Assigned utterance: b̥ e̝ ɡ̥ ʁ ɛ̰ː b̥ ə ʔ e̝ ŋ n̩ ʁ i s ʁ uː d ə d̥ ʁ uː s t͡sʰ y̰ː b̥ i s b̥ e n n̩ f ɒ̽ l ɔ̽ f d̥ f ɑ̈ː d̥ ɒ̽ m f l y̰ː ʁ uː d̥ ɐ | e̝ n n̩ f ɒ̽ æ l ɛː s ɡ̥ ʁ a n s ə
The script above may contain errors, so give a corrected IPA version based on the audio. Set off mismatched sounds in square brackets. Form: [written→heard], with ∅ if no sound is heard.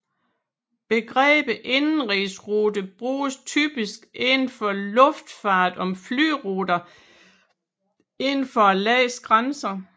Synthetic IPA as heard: b̥ e̝ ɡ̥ ʁ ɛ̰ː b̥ ə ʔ e̝ [ŋ→n] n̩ ʁ i s ʁ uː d ə [d̥→b̥] ʁ uː s t͡sʰ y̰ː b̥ i s [b̥→ɡ̥] e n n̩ f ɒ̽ l ɔ̽ f d̥ f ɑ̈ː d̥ ɒ̽ m f l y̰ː ʁ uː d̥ ɐ | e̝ n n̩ f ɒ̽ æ l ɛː s ɡ̥ ʁ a n s [ə→ɐ]